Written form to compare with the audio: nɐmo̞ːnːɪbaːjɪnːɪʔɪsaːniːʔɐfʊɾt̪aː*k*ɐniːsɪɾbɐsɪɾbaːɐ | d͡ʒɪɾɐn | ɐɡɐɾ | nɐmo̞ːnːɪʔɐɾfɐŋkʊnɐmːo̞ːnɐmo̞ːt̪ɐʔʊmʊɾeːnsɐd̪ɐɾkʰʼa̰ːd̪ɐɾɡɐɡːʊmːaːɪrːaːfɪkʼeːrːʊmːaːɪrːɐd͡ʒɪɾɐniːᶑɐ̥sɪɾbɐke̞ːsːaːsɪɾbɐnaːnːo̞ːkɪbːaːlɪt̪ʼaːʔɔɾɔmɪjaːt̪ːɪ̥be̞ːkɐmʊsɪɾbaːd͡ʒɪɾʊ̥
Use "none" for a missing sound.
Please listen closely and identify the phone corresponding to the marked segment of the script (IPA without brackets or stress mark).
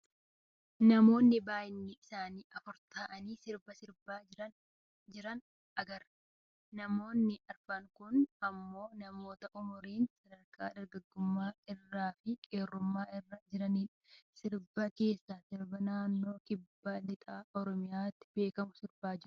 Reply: ʔ